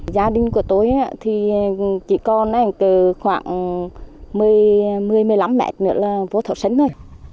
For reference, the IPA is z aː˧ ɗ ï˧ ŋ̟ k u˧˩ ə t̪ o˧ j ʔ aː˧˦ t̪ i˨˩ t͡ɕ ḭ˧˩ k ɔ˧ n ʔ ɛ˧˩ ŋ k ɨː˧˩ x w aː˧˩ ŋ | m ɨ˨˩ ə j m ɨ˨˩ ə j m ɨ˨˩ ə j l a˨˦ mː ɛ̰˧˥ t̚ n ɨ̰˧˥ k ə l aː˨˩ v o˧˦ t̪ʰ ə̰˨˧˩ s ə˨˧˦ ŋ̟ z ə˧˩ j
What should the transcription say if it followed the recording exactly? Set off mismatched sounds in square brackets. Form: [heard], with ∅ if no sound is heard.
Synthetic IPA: z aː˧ ɗ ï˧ ŋ̟ k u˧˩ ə t̪ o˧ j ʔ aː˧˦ [t̪ʰ] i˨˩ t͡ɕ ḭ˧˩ k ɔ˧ n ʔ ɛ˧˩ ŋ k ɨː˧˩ x w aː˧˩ ŋ | m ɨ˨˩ ə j m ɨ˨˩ ə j m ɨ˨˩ ə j l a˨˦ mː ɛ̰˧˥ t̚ n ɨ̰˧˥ [∅] ə l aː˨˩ v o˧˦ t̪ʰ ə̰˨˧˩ s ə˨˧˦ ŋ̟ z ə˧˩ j